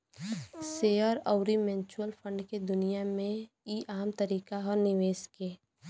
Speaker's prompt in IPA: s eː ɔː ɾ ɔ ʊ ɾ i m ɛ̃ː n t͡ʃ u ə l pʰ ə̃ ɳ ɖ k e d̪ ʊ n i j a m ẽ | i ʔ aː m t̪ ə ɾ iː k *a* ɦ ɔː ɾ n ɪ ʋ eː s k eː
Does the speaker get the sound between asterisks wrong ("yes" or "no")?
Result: no